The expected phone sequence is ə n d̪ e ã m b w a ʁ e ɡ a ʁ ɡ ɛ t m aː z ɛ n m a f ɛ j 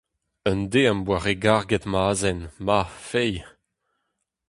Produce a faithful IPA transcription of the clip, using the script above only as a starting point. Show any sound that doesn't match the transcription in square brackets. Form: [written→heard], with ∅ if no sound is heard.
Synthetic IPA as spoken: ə n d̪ e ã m b w a ʁ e ɡ a ʁ ɡ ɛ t m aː z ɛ n m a f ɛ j